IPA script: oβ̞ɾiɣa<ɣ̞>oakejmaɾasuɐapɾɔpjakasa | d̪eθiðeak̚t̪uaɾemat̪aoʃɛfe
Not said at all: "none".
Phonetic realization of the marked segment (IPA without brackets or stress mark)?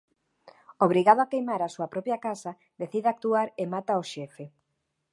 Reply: ð̞